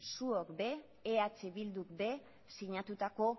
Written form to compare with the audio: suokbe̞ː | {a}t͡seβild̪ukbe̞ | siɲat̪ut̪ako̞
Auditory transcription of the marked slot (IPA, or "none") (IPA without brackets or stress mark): a